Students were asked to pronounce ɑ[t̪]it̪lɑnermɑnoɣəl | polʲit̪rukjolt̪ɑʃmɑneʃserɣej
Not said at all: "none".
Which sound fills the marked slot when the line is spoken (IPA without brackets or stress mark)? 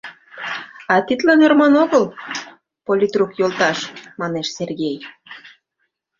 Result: t̪